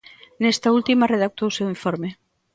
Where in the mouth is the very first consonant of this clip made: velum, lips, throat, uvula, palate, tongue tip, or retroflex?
tongue tip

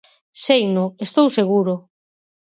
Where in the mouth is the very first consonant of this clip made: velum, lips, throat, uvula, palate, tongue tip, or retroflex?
tongue tip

